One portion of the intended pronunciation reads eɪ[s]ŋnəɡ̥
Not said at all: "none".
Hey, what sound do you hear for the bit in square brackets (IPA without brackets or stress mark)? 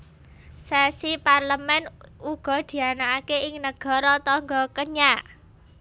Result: none